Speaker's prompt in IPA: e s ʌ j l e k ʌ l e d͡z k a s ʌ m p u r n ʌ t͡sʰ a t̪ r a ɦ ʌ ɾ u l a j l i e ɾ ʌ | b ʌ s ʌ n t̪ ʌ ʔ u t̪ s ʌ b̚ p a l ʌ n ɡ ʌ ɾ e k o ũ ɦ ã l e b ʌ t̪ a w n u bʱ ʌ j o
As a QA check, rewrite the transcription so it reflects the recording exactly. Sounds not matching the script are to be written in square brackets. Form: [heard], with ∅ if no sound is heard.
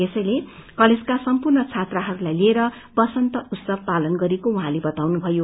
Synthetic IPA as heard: e s ʌ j l e k ʌ l e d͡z k a s ʌ m p u r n ʌ t͡sʰ a t̪ r a ɦ ʌ ɾ u l a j l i e ɾ ʌ | b ʌ s ʌ n t̪ ʌ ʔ u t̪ s ʌ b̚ p a l ʌ n ɡ ʌ ɾ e k o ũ ɦ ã l e b ʌ t̪ a w n u bʱ ʌ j o